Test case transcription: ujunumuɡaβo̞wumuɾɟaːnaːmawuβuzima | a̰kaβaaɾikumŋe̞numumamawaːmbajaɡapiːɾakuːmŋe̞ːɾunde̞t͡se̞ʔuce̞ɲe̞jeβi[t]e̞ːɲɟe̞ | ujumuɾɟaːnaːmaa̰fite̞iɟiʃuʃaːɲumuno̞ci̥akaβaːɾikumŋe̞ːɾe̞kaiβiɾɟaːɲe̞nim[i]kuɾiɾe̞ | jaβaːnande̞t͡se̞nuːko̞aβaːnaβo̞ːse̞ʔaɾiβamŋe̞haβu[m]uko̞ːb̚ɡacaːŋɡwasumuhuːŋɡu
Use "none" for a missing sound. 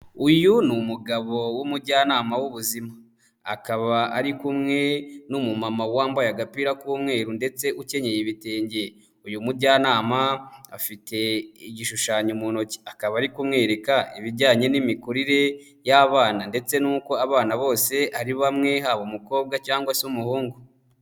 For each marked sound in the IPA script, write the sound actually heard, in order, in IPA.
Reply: t, i, m

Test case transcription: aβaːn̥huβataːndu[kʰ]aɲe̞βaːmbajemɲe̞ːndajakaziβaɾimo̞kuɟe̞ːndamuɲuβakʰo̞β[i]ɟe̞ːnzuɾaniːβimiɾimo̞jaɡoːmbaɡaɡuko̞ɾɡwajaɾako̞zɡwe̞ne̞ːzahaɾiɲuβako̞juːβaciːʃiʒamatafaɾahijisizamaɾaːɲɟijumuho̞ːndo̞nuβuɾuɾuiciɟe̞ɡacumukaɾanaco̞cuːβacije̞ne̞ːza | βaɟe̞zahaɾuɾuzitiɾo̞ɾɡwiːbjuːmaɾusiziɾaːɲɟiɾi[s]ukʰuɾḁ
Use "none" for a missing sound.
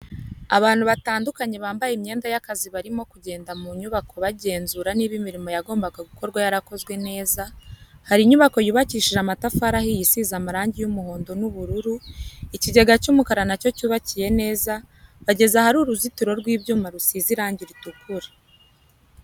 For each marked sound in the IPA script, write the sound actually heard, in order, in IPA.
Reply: k, a, t

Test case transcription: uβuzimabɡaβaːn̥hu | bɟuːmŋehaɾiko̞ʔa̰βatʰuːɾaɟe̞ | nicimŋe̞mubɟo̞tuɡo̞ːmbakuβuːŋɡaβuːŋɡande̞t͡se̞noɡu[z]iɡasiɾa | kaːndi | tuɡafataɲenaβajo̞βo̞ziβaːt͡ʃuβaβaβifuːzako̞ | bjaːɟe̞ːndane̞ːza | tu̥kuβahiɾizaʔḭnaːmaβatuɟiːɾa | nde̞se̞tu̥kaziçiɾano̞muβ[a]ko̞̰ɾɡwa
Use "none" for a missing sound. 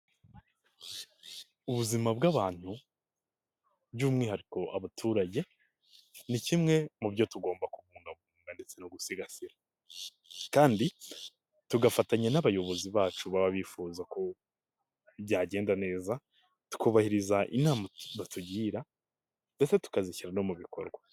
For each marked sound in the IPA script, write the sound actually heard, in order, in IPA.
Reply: s, i

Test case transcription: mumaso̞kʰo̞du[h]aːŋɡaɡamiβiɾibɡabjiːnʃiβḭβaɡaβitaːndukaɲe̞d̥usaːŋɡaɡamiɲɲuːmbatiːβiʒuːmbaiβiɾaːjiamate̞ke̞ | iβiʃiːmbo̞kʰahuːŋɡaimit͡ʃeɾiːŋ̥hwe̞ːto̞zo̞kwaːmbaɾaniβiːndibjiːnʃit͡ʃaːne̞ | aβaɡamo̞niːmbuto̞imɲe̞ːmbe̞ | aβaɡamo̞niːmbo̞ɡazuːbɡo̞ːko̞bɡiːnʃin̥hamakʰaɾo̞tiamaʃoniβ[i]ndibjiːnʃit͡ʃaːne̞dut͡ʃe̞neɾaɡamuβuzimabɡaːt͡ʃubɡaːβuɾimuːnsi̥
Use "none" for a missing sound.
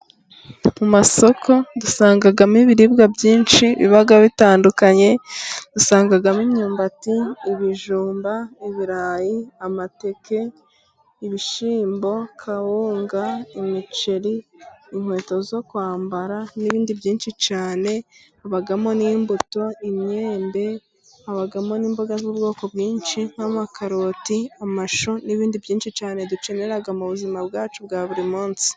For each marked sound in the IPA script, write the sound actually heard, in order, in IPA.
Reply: s, iː

